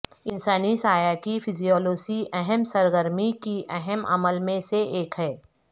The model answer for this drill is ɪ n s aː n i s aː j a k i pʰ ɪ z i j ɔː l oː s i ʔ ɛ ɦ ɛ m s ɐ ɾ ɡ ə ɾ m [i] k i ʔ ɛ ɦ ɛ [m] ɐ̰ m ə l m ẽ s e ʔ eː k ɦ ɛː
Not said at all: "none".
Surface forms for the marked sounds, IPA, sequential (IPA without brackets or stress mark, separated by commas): i, m